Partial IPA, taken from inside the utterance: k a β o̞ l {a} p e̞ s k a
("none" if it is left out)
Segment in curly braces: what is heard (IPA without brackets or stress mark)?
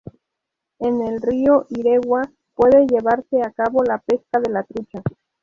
a